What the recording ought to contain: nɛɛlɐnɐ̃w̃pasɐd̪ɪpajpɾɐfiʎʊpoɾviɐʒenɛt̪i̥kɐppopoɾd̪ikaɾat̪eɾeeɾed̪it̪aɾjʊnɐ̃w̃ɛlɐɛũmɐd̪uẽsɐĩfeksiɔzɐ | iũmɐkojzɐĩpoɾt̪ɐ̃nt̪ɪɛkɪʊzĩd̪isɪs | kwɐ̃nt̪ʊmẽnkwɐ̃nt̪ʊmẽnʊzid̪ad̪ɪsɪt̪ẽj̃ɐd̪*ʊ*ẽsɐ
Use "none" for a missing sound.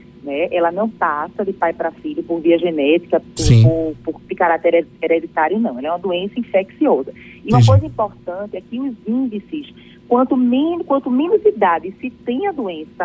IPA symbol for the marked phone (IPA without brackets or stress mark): u